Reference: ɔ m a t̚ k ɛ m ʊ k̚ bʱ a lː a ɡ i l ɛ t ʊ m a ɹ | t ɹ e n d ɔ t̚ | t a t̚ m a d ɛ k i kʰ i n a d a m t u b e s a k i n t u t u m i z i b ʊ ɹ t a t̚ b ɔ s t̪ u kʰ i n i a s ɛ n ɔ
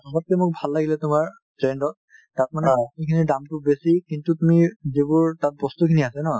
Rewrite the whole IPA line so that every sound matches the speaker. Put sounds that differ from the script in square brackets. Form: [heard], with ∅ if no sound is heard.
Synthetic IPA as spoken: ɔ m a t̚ k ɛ m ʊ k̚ bʱ a lː a ɡ i l ɛ t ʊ m a ɹ | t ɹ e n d ɔ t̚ | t a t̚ m a [n] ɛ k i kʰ i n [i] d a m t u b e s [i] k i n t u t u m i z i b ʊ ɹ t a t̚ b ɔ s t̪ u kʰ i n i a s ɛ n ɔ

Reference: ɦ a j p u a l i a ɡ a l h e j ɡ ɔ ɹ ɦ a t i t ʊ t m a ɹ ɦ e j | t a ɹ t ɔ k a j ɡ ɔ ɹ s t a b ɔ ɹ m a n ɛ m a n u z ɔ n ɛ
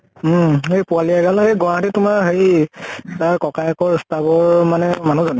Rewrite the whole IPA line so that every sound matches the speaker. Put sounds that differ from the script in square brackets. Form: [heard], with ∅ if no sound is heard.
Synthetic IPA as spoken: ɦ [e] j p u a l i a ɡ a l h e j ɡ ɔ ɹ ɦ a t i t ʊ [∅] m a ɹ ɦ e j | t a ɹ [k] ɔ k a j [k] ɔ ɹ s t a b ɔ ɹ m a n ɛ m a n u z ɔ n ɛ

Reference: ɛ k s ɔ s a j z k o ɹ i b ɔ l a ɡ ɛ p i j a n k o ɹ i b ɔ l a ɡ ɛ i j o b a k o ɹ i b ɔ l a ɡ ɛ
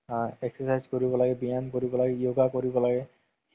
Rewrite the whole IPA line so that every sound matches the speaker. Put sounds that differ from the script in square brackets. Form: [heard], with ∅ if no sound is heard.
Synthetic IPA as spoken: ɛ k s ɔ s a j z k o ɹ i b ɔ l a ɡ ɛ [b] i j a n k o ɹ i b ɔ l a ɡ ɛ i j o [ɡ] a k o ɹ i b ɔ l a ɡ ɛ

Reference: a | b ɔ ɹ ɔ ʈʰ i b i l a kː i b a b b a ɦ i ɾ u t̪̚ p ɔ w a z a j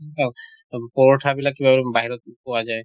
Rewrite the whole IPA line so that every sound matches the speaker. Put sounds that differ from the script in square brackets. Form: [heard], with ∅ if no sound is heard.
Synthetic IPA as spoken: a | [p] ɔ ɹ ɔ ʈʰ [a] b i l a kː i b a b b a ɦ i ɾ [ɔ] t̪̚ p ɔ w a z a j

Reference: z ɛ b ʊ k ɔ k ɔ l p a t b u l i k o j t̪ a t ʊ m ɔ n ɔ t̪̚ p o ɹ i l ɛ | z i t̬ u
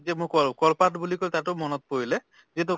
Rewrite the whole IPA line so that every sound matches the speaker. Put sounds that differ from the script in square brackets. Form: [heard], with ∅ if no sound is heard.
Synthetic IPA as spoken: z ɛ [m] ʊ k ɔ k ɔ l p a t b u l i k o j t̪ a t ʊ m ɔ n ɔ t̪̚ p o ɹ i l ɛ | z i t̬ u

